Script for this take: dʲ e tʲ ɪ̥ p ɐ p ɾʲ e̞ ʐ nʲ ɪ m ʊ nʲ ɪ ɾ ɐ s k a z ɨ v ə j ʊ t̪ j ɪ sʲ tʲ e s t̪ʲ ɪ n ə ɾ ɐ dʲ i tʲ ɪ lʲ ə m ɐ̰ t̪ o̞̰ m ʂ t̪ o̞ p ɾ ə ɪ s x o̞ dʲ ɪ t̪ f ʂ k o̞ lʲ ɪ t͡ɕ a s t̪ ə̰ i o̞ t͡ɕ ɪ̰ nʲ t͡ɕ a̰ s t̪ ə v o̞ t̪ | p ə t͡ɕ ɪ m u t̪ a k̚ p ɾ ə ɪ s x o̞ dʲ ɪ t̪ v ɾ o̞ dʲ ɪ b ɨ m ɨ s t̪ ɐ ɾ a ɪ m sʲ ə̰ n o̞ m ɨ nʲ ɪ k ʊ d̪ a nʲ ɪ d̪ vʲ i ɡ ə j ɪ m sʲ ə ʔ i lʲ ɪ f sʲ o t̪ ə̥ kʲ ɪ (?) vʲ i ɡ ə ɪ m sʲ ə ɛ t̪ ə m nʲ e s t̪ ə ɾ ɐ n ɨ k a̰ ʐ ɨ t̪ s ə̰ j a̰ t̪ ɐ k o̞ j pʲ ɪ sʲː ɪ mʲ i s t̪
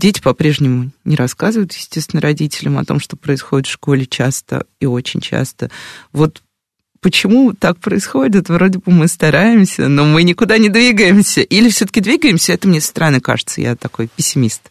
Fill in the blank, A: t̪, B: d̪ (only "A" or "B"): B